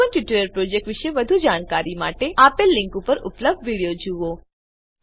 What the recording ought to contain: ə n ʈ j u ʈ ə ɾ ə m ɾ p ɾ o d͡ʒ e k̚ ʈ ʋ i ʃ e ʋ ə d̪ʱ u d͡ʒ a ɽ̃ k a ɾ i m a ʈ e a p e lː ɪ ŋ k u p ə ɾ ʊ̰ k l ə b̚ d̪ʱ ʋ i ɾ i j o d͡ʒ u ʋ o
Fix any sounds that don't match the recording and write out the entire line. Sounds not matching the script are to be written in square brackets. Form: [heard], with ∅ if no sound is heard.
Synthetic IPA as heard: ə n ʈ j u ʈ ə ɾ ə [∅] ɾ p ɾ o d͡ʒ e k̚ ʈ ʋ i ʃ e ʋ ə d̪ʱ u d͡ʒ a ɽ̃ k a ɾ i m a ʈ e a p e lː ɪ ŋ k u p ə ɾ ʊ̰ [p] l ə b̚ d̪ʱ ʋ i [ɽ] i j o d͡ʒ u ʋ o